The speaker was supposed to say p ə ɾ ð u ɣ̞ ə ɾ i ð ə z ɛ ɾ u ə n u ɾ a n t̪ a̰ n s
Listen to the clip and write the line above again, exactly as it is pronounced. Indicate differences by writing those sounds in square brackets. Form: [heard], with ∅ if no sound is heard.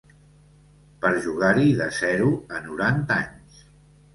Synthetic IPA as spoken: p ə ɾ [ʒ] u ɣ̞ [a] ɾ i ð ə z ɛ ɾ u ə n u ɾ a n t̪ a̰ [ɲ] s